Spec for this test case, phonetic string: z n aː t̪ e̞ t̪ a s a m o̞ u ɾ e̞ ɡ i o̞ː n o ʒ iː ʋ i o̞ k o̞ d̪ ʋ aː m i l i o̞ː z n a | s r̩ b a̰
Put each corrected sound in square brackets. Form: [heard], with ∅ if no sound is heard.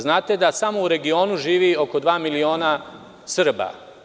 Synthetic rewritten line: z n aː t̪ e̞ [d̪] a s a m o̞ u ɾ e̞ ɡ i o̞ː n [u] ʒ iː ʋ i o̞ k o̞ d̪ ʋ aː m i l i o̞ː [∅] n a | s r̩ b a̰